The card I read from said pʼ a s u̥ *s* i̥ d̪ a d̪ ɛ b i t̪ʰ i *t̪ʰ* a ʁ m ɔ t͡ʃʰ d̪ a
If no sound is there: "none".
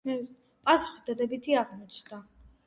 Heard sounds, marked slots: χ, none

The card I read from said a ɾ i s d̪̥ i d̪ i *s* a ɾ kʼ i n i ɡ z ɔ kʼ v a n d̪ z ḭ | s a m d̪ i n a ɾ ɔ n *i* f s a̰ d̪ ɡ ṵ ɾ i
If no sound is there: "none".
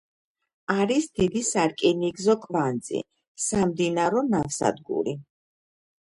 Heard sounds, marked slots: s, a

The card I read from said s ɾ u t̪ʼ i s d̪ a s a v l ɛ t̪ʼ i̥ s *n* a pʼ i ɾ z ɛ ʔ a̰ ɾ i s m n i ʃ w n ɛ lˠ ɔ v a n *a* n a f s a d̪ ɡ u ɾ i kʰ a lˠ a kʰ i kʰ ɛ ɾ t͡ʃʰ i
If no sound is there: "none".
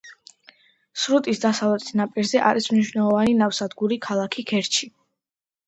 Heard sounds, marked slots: n, i

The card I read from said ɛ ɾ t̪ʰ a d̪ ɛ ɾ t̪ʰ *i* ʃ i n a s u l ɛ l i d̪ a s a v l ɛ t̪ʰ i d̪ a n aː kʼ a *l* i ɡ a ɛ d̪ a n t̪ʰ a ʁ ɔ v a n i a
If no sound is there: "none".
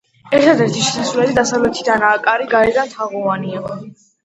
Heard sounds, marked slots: i, ɾ

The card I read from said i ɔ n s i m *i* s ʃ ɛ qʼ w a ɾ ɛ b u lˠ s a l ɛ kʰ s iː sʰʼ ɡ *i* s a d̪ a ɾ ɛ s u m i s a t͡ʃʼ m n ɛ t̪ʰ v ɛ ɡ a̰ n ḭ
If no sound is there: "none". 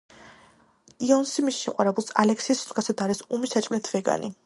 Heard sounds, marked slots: i, a

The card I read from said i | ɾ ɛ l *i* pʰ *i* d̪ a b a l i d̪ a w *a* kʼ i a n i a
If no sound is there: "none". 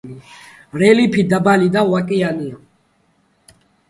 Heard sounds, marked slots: i, i, a

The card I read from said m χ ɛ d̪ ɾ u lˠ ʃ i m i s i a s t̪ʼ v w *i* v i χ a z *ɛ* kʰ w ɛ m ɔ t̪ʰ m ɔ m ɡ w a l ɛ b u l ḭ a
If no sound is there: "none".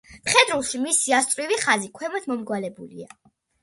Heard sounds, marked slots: i, i

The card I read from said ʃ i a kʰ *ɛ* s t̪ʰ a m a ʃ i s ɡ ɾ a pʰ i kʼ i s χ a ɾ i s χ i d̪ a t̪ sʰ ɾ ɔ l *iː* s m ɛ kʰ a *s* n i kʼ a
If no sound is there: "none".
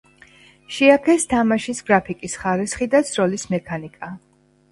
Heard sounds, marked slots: ɛ, i, none

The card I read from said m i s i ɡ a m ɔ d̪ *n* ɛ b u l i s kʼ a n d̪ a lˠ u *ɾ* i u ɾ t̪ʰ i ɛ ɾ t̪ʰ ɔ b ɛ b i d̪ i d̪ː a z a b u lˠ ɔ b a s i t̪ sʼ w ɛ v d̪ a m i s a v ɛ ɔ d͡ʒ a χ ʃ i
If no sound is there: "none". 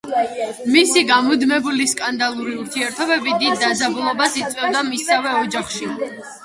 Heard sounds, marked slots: m, ɾ

